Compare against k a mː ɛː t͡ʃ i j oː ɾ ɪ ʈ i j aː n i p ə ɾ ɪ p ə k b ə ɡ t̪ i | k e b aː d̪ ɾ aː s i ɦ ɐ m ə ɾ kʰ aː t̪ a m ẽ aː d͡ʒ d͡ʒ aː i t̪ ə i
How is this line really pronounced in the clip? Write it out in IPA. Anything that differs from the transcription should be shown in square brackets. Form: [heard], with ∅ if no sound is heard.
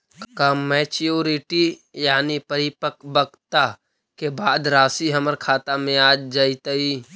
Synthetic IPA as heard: k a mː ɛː t͡ʃ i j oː ɾ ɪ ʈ i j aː n i p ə ɾ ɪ p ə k b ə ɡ t̪ [a] | k e b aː d̪ ɾ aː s i ɦ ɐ m ə ɾ kʰ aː t̪ a m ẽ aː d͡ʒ d͡ʒ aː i t̪ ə i